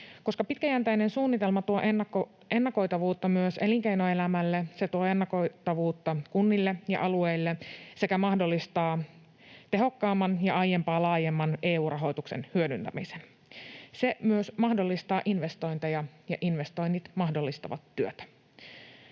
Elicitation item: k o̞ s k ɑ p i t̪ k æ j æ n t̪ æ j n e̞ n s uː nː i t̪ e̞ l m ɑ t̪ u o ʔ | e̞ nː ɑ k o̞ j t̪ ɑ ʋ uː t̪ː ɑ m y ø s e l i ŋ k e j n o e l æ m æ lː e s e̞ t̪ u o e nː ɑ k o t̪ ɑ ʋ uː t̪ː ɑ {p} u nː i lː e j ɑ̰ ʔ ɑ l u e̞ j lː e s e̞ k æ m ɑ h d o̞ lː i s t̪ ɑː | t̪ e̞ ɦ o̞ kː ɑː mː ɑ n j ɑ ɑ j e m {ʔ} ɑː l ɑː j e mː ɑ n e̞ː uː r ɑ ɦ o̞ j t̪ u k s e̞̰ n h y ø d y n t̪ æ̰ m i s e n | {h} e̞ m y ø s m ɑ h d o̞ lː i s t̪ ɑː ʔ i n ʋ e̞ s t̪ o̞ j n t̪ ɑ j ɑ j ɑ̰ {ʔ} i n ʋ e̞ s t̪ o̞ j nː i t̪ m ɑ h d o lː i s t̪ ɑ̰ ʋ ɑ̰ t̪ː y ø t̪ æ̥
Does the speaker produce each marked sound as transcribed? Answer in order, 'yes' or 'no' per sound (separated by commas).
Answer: no, no, no, yes